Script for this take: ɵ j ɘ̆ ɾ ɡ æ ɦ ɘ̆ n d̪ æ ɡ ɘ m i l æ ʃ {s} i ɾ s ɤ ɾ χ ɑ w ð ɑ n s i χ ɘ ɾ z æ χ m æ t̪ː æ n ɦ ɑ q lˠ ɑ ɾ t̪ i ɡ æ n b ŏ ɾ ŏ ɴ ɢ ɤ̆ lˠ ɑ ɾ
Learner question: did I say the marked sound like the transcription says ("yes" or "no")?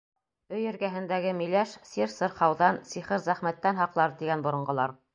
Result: yes